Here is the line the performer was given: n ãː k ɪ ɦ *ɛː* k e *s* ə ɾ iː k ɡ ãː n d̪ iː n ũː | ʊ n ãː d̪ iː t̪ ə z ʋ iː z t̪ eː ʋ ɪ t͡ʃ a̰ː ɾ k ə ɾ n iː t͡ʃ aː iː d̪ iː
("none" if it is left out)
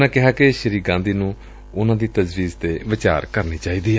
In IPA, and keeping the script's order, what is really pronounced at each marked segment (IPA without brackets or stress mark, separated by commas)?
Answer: aː, ʃ